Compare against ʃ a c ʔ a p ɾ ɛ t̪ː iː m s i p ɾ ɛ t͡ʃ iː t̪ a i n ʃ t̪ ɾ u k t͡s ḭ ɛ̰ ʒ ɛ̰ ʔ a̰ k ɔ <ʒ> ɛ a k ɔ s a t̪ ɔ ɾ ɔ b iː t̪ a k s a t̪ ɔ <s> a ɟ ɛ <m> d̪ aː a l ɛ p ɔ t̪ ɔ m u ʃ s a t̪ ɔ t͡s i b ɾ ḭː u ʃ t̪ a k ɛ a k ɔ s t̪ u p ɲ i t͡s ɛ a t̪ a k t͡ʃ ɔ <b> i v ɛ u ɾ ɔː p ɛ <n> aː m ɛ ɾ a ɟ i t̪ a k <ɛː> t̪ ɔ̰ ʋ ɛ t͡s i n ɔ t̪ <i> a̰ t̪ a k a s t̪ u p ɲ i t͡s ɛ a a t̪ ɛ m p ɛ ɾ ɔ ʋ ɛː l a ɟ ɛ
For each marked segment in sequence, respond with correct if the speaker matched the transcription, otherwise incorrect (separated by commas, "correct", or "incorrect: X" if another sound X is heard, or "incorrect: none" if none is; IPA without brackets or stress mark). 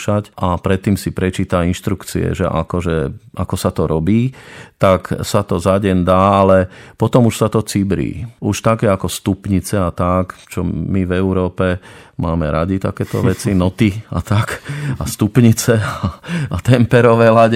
correct, incorrect: z, incorrect: n, incorrect: m, incorrect: m, correct, correct